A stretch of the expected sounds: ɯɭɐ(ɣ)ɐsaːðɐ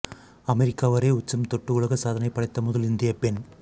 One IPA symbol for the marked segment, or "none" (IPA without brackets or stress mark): ɣ